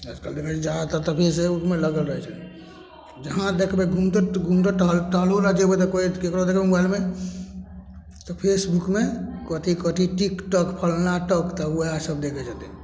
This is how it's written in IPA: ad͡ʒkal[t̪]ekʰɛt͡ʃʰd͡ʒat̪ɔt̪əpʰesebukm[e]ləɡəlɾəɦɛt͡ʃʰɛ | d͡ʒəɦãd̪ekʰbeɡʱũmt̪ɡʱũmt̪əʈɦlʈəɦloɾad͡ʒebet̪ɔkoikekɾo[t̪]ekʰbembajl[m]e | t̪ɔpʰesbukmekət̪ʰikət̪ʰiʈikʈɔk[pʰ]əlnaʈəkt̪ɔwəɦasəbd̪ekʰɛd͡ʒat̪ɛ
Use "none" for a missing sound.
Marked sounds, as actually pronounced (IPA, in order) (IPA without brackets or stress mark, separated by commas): d̪, e, d̪, m, pʰ